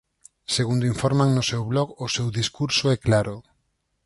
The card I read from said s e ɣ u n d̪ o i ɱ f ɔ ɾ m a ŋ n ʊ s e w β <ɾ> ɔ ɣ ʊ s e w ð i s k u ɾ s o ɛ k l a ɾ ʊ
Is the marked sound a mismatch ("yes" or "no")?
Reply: yes